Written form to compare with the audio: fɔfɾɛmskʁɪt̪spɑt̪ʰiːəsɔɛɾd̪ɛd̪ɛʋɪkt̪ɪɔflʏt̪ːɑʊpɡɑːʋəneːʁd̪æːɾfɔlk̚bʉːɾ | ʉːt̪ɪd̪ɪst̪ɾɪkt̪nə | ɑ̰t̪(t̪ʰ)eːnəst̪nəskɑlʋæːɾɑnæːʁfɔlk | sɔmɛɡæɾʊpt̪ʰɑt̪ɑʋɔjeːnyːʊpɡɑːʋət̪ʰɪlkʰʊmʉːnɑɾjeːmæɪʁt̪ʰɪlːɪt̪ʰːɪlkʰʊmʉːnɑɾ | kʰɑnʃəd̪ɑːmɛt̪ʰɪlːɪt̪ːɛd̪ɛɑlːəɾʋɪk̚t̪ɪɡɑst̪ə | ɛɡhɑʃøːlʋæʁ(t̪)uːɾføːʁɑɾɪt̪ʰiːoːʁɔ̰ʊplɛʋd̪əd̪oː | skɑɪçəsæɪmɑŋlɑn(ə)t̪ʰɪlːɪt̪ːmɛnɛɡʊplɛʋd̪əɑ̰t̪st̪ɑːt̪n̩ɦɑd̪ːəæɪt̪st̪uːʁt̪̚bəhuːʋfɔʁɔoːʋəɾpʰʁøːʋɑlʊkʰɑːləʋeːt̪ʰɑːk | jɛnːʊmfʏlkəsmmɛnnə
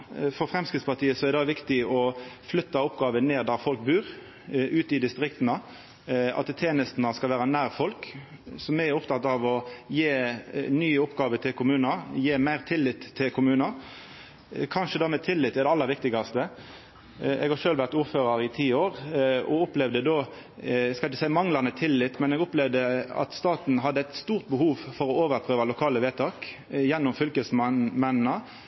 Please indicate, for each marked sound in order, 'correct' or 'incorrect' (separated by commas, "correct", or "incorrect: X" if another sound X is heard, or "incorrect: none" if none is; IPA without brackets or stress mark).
correct, correct, correct